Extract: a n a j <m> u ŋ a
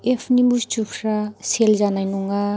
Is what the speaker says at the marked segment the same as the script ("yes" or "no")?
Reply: no